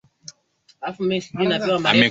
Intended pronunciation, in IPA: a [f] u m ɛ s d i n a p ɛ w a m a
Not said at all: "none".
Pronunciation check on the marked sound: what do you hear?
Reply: f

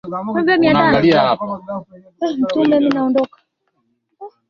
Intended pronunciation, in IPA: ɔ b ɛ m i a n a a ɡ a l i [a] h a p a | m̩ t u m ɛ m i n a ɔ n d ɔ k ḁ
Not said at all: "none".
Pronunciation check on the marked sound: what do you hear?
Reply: a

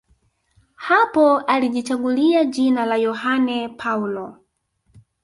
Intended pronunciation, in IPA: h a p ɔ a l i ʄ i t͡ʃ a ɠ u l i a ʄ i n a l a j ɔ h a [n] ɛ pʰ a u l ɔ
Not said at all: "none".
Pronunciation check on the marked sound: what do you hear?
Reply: n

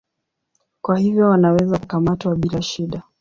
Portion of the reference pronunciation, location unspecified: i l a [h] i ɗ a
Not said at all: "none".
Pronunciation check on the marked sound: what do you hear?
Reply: ʃ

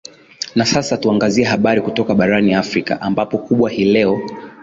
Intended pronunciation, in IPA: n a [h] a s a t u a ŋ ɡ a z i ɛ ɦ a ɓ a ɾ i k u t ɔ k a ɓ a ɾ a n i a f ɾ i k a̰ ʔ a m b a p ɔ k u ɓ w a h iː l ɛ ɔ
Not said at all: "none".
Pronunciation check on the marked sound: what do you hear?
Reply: s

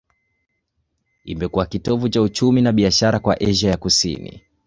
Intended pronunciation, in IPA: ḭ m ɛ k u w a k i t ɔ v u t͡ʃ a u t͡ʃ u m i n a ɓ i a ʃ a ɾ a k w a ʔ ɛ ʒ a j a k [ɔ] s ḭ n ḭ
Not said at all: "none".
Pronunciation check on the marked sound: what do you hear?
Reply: u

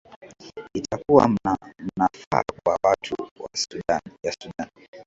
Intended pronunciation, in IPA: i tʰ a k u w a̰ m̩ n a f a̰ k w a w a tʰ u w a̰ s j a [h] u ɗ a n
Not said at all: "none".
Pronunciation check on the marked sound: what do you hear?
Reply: s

